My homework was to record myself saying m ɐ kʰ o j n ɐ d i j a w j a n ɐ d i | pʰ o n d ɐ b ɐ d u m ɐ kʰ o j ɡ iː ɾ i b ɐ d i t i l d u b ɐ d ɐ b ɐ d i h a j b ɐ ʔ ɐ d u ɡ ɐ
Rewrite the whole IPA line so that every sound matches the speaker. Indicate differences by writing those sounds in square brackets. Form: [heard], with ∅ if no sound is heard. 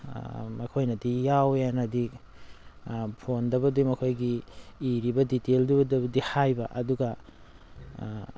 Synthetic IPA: m ɐ kʰ o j n ɐ d i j a w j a n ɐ d i | pʰ o n d ɐ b ɐ d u m ɐ kʰ o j ɡ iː ɾ i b ɐ d i t [e] l d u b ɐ d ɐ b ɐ d i h a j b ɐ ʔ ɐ d u ɡ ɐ